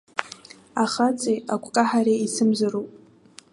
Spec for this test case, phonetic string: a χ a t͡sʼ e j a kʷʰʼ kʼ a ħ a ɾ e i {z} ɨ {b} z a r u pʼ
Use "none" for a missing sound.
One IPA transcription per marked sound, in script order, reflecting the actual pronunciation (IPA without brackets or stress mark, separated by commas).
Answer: s, m